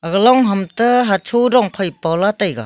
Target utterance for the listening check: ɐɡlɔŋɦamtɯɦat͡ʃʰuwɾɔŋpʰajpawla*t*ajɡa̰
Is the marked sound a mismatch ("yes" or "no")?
no